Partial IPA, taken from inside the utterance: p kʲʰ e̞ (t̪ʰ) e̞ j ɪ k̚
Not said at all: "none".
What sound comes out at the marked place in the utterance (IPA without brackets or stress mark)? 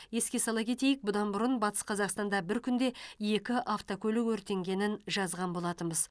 t̪